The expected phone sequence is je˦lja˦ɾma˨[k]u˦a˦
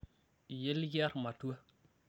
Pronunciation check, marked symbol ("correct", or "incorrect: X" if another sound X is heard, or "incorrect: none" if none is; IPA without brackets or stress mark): incorrect: t